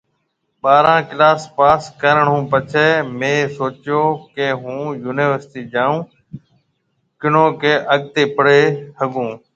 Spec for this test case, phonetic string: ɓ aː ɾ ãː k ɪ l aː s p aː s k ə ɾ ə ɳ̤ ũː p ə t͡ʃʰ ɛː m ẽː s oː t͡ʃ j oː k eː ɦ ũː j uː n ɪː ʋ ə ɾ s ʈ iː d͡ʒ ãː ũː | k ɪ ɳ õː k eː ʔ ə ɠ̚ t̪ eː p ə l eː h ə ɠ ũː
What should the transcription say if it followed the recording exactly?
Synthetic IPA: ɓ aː ɾ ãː k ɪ l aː s p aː s k ə ɾ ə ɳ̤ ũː p ə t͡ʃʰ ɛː m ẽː s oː t͡ʃ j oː k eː ɦ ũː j uː n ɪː ʋ ə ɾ s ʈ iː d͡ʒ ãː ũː | k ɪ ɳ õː k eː ʔ ə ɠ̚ t̪ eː p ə ɽ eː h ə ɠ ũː